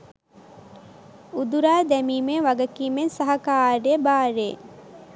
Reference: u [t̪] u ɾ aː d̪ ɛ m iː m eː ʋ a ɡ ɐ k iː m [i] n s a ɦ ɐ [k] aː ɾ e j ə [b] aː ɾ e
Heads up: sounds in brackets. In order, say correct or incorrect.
incorrect: d̪, incorrect: e, correct, correct

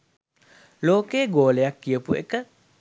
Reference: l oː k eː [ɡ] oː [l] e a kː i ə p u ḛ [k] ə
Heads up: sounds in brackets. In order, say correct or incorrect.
correct, correct, correct

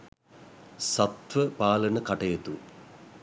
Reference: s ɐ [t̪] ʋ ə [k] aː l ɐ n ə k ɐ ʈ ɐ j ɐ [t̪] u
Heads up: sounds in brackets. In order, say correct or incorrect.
correct, incorrect: p, correct

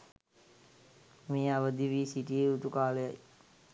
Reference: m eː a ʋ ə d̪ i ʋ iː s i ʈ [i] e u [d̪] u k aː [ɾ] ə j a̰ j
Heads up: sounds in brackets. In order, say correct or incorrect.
correct, incorrect: t̪, incorrect: l

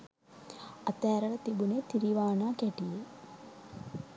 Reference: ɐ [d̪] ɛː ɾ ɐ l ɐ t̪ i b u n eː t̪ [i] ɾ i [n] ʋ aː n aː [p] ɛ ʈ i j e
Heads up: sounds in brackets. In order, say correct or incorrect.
incorrect: t̪, correct, incorrect: none, incorrect: k

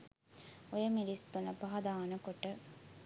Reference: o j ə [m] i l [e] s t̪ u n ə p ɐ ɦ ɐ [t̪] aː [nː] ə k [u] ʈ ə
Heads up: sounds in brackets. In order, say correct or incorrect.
correct, incorrect: i, incorrect: d̪, incorrect: n, incorrect: o

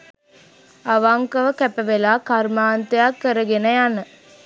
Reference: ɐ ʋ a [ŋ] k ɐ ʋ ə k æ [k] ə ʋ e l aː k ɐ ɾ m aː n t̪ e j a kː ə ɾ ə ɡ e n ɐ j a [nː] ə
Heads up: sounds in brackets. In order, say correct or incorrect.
correct, incorrect: p, incorrect: n

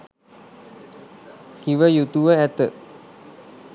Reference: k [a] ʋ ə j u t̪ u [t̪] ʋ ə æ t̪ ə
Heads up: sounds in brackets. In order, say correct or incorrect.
incorrect: i, incorrect: none

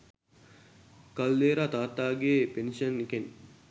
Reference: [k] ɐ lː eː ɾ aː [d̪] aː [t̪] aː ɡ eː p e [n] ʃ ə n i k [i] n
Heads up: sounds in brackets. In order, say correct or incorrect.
correct, incorrect: t̪, correct, correct, incorrect: e

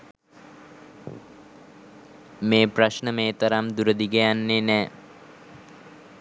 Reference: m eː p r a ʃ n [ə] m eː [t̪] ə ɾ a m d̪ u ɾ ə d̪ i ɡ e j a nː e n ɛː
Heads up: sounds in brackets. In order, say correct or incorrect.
correct, correct

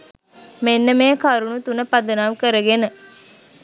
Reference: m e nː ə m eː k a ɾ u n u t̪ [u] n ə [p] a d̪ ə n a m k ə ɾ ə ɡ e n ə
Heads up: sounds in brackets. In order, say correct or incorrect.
correct, correct

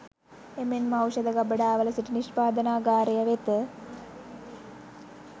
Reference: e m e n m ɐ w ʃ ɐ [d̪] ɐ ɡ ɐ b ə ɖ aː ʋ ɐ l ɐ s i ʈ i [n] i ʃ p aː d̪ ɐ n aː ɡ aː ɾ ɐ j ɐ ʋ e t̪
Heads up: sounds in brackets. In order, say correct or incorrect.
correct, correct

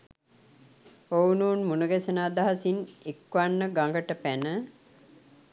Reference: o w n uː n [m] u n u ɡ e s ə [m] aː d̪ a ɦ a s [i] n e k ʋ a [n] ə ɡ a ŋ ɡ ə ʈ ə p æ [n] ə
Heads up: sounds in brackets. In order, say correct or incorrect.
correct, incorrect: n, correct, incorrect: nː, correct

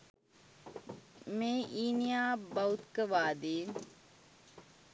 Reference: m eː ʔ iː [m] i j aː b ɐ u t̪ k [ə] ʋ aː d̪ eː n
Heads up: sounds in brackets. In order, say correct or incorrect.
incorrect: n, correct

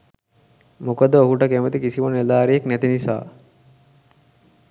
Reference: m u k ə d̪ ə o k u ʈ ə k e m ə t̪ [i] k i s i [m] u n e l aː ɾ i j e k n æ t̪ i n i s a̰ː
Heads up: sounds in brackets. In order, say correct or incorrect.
correct, correct

